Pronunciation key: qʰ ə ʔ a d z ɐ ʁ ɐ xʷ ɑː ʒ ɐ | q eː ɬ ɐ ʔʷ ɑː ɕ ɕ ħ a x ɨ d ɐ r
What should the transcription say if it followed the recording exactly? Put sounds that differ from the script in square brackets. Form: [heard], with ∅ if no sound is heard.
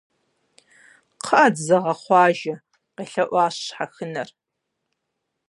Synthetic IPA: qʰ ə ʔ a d z ɐ ʁ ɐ [χʷ] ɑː ʒ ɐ | q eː ɬ ɐ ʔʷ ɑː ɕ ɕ ħ a x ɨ [n] ɐ r